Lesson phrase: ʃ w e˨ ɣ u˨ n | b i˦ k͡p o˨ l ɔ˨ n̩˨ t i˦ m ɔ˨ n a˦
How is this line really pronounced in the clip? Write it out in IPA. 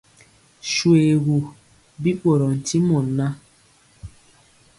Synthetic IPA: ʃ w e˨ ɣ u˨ | b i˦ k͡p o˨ ɾ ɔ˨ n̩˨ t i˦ m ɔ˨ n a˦